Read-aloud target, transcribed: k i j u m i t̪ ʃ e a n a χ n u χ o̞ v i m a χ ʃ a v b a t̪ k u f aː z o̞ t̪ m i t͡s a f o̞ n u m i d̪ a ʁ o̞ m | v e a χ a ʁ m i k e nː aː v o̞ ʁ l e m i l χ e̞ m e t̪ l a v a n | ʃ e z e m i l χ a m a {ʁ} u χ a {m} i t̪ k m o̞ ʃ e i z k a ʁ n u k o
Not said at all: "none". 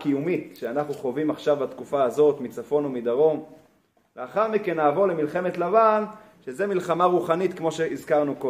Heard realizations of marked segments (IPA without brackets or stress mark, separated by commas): ʁ, n